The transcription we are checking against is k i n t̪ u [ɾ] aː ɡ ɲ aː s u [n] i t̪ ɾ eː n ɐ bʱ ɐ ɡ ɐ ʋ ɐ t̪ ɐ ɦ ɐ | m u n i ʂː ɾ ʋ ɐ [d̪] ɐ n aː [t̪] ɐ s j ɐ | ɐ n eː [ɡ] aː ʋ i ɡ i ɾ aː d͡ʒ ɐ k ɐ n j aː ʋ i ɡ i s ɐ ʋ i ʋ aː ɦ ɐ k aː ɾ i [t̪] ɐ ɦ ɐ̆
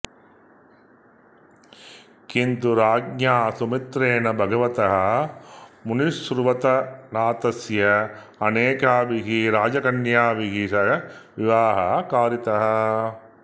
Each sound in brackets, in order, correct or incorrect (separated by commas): correct, incorrect, incorrect, correct, incorrect, correct